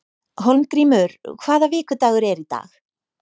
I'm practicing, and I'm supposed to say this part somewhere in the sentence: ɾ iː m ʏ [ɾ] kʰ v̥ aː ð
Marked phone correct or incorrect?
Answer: correct